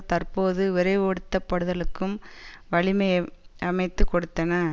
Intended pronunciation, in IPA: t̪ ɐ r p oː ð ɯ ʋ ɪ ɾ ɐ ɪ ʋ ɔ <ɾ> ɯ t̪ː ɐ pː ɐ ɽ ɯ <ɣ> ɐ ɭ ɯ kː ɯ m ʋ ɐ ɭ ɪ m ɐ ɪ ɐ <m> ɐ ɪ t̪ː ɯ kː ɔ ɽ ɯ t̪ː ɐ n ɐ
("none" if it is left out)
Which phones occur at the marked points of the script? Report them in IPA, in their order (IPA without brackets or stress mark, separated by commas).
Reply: ɽ, ð, m